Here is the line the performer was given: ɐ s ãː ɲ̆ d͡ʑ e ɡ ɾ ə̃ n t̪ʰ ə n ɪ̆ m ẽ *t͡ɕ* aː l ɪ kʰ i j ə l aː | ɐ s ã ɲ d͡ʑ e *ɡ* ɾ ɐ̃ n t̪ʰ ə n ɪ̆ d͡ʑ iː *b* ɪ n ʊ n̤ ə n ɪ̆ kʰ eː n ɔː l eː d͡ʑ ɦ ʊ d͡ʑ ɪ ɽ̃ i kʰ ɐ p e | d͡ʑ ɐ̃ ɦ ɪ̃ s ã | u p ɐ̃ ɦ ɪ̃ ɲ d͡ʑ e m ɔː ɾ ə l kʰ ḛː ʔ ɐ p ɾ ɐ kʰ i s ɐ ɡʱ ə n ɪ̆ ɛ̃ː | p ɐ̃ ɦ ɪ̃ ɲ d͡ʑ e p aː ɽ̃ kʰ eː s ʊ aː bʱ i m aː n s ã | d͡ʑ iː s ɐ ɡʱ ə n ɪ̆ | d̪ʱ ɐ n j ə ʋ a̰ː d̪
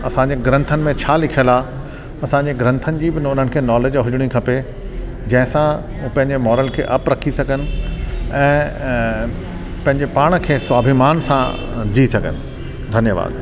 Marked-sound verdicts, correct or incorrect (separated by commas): incorrect, correct, correct